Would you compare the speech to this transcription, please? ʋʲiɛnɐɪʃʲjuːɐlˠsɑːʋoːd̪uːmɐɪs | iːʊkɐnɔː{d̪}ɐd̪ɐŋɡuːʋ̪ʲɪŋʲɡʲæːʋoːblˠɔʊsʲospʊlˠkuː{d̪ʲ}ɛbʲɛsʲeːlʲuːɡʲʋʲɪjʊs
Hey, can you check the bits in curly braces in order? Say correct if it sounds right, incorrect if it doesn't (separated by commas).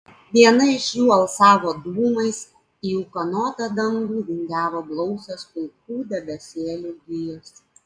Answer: incorrect, correct